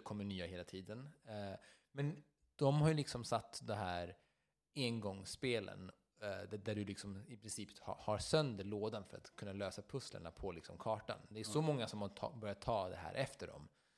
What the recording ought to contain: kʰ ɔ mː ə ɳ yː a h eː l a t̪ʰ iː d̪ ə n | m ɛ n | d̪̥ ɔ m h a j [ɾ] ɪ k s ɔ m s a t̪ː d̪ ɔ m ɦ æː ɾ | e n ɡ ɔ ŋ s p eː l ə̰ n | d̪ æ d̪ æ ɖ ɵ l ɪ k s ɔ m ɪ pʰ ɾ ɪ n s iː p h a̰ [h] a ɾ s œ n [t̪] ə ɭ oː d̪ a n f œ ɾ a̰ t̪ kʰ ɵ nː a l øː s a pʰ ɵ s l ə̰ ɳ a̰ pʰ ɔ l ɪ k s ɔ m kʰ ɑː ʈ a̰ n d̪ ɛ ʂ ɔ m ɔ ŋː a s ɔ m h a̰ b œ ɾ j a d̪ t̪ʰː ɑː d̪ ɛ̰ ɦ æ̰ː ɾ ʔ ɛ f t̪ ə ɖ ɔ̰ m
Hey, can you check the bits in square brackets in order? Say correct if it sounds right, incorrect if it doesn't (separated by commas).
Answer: incorrect, correct, incorrect